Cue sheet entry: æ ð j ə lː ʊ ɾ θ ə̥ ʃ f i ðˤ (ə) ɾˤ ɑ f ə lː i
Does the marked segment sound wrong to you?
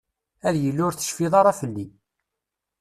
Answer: yes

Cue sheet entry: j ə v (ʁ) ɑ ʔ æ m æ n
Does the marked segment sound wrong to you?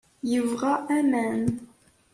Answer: no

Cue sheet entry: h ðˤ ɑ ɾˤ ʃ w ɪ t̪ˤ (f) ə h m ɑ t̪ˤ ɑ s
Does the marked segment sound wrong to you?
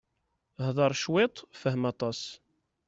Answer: no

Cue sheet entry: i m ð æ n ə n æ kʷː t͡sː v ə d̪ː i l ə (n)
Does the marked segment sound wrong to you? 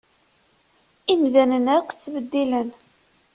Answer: no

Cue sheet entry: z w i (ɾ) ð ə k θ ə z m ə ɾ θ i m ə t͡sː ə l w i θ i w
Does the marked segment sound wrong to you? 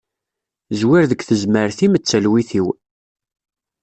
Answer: no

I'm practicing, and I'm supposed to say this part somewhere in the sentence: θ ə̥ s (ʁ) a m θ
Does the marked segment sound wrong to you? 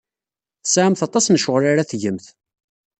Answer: yes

